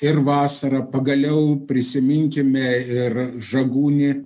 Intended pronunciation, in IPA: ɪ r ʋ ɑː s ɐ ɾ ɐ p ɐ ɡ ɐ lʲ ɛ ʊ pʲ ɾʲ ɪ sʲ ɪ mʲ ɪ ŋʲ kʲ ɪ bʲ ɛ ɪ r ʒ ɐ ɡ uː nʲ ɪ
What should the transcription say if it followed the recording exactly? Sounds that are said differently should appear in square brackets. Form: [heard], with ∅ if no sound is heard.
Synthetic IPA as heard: ɪ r ʋ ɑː s ɐ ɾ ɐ p ɐ ɡ ɐ lʲ ɛ ʊ pʲ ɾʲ ɪ sʲ ɪ mʲ ɪ ŋʲ kʲ ɪ [mʲ] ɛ ɪ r ʒ ɐ ɡ uː nʲ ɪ